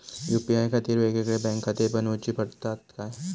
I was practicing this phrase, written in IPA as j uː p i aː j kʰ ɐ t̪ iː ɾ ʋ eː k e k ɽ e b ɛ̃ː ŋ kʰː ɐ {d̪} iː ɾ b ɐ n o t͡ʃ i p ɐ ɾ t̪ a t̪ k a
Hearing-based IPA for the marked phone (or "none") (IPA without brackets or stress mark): t̪